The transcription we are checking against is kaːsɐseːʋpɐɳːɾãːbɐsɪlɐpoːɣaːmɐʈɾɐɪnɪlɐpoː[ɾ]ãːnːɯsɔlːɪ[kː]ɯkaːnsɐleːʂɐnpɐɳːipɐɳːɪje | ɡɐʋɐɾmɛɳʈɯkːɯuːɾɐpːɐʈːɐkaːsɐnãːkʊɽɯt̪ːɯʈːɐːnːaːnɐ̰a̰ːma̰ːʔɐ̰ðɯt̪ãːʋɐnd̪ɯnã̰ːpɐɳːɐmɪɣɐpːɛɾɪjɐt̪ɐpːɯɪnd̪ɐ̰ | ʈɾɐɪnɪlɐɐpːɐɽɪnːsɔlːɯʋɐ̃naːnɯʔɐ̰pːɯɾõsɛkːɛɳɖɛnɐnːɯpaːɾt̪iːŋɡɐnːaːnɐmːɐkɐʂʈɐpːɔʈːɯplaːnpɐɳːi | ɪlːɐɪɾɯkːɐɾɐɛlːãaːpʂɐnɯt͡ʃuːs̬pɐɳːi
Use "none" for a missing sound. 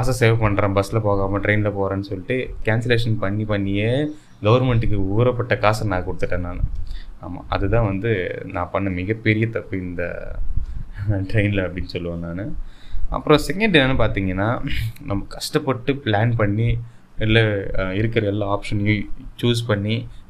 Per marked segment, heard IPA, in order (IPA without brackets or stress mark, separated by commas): ɾ, ʈː